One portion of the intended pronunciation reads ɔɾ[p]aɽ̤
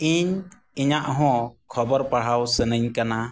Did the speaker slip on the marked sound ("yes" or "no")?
no